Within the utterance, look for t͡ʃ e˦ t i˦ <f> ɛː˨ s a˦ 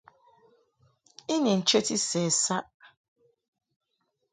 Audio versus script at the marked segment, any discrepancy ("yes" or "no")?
yes